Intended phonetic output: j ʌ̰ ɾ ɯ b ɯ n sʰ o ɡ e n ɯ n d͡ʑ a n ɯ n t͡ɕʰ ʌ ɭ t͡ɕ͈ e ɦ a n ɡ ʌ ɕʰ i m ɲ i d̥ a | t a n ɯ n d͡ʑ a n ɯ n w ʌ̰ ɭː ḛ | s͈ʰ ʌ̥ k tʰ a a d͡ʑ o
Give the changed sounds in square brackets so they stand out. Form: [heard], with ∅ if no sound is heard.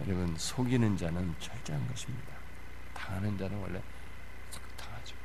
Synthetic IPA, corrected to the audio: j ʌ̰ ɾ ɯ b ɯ n sʰ o ɡ [i] n ɯ n d͡ʑ a n ɯ n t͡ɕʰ ʌ ɭ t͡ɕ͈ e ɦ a n ɡ ʌ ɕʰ i m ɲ i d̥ a | t a n ɯ n d͡ʑ a n ɯ n w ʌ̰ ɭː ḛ | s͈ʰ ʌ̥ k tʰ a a d͡ʑ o